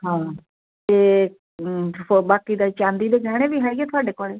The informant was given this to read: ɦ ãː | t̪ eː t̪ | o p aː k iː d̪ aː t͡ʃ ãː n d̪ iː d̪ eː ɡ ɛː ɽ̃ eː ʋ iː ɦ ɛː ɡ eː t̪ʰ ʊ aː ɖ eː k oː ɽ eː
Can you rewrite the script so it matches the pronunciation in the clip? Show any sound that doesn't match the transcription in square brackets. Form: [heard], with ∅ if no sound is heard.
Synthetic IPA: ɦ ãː | t̪ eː [∅] | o [b] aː k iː d̪ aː t͡ʃ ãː n d̪ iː d̪ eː ɡ ɛː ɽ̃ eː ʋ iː ɦ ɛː ɡ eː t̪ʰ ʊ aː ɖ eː k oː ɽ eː